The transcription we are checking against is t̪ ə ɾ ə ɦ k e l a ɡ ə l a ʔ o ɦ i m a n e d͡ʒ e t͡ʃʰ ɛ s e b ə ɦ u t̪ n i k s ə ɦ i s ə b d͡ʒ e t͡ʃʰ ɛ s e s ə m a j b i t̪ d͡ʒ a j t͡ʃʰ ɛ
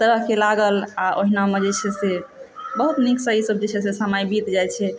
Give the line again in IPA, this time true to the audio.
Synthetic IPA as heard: t̪ ə ɾ ə ɦ k e l a ɡ ə l a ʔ o ɦ i n a m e d͡ʒ e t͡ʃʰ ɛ s e b ə ɦ u t̪ n i k s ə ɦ i s ə b d͡ʒ e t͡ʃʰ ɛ s e s ə m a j b i t̪ d͡ʒ a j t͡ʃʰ ɛ

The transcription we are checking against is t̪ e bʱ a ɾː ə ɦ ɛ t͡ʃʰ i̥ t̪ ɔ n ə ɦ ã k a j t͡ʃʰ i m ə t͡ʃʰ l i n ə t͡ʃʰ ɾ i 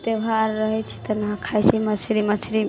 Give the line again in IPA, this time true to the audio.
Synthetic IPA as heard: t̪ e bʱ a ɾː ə ɦ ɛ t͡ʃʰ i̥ t̪ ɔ n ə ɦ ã kʰ a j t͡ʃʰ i m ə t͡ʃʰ ɾ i m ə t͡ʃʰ ɾ i

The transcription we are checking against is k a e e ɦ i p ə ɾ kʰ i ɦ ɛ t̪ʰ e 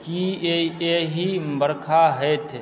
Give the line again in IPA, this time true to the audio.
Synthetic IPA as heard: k i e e ɦ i b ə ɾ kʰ a ɦ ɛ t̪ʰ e

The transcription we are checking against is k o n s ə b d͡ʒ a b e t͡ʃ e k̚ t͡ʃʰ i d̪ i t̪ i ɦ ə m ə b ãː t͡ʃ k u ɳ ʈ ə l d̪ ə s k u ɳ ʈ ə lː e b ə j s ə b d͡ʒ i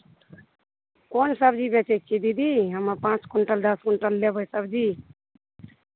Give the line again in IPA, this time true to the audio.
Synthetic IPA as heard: k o n s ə b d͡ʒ i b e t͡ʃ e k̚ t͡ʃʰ i d̪ i d̪ i ɦ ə m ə p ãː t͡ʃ k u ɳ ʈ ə l d̪ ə s k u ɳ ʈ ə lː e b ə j s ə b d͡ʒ i

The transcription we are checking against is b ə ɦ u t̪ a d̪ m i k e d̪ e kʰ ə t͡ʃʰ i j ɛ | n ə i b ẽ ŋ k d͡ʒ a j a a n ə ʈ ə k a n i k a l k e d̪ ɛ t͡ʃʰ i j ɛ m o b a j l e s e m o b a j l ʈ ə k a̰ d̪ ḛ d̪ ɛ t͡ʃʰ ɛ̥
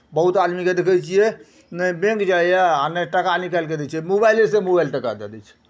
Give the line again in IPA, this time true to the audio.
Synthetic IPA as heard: b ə ɦ u t̪ a d̪ m i k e d̪ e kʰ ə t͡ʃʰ i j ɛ | n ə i b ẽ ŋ k d͡ʒ a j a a n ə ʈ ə k a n i k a l k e d̪ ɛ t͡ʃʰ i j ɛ m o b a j l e s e m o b a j l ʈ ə k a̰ d̪ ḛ d̪ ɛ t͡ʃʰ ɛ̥

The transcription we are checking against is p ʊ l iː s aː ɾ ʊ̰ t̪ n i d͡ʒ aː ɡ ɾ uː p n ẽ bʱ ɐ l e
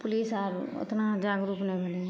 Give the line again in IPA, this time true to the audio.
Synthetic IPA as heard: p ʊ l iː s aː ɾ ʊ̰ t̪ n a d͡ʒ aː ɡ ɾ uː p n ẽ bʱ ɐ l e

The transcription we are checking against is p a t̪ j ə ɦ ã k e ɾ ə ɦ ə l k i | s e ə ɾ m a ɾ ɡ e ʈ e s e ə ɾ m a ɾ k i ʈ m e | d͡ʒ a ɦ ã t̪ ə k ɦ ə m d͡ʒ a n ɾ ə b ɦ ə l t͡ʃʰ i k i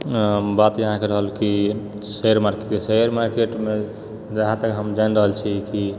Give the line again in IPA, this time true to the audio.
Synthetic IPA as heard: b a t̪ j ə ɦ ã k e ɾ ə ɦ ə l k i | s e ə ɾ m a ɾ k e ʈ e s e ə ɾ m a ɾ k e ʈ m e | d͡ʒ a ɦ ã t̪ ə k ɦ ə m d͡ʒ a n ɾ ə ɦ ə l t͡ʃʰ i k i

